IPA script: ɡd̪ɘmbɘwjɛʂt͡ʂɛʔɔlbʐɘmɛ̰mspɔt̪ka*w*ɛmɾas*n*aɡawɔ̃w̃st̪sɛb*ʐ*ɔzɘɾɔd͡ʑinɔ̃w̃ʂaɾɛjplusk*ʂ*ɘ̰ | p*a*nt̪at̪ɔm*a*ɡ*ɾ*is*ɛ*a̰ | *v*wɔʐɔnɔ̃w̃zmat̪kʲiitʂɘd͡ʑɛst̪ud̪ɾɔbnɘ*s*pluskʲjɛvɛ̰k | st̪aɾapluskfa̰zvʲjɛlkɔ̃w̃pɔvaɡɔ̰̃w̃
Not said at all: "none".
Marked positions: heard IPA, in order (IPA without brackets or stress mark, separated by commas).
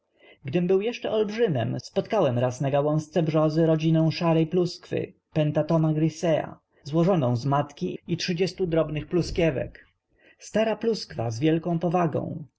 w, n, ʐ, f, ɛ, a, ɾ, ɛ, z, x